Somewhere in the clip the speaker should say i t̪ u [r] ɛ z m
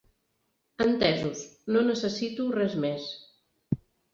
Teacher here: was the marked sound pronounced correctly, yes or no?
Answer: yes